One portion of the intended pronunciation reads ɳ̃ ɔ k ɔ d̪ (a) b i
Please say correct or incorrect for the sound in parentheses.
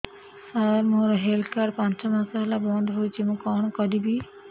incorrect